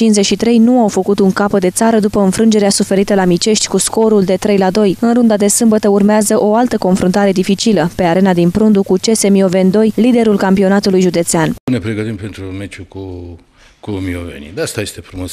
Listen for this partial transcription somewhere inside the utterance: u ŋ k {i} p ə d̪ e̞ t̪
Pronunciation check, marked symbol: incorrect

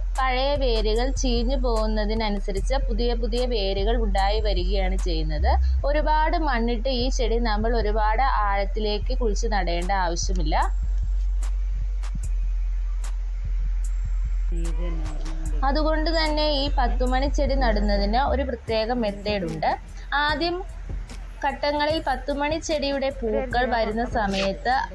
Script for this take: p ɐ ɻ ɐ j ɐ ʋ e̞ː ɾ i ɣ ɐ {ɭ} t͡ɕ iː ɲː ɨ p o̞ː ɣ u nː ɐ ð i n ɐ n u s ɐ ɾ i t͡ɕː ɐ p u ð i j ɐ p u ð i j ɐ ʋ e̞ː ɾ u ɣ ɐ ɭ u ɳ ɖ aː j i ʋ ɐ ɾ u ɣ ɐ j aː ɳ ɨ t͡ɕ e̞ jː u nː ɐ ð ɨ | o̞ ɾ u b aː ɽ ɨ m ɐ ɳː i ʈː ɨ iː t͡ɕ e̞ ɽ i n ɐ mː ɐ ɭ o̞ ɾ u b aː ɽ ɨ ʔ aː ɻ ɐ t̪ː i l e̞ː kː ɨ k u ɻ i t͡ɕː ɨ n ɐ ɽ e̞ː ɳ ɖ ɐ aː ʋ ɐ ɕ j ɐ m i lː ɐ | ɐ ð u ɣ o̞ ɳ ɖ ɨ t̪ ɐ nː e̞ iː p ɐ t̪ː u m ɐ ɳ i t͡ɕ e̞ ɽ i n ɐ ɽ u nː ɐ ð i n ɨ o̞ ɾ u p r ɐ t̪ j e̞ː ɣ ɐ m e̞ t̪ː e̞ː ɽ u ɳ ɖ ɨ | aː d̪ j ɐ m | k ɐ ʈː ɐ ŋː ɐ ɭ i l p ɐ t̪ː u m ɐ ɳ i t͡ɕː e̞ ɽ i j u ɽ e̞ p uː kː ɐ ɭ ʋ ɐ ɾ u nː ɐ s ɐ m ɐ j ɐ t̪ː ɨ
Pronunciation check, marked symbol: correct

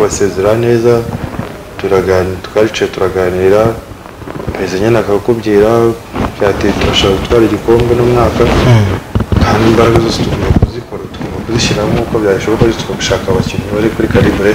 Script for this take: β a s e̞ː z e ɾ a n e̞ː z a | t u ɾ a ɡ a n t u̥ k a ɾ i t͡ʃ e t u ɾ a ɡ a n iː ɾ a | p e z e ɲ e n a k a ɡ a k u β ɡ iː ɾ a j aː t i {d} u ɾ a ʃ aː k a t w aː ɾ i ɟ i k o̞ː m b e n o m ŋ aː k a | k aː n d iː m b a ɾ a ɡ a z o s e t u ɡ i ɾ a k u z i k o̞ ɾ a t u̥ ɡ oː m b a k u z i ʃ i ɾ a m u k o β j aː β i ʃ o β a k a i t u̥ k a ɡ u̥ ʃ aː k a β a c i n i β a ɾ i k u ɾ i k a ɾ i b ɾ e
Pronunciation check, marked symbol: incorrect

